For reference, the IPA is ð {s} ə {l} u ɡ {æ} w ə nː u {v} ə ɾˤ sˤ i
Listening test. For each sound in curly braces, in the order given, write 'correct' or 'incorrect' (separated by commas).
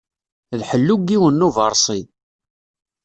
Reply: incorrect, incorrect, incorrect, correct